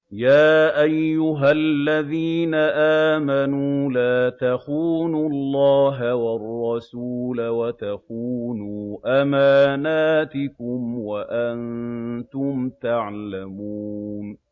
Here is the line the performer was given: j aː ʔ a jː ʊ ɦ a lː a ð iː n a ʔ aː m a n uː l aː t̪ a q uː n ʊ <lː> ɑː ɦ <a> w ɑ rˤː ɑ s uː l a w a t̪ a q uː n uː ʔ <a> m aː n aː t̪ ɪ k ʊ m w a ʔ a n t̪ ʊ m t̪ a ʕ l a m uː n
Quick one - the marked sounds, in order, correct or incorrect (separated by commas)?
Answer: correct, correct, correct